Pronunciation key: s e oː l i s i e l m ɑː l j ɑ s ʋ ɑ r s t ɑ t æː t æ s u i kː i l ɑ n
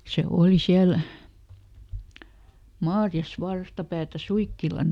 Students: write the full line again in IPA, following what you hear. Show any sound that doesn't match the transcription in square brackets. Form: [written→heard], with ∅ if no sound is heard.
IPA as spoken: s e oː l i s i [e→æ] l m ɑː [l→r] j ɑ s ʋ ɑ r s t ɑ [t→p] æː t æ s u i kː i l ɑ n